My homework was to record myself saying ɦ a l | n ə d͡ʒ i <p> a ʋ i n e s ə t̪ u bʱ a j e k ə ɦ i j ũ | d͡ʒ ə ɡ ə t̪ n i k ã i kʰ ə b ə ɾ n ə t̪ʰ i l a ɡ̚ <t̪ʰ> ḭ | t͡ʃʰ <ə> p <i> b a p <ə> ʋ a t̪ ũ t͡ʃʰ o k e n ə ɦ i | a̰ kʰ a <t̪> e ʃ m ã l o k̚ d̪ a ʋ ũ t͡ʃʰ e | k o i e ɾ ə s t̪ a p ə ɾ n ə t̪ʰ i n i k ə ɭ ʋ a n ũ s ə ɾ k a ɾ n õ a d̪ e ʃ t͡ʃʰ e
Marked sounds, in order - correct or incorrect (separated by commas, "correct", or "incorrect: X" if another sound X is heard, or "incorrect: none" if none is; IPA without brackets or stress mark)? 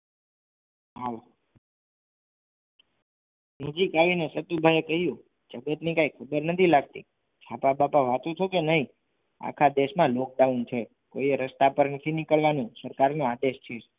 incorrect: k, incorrect: t̪, incorrect: a, incorrect: a, incorrect: a, incorrect: d̪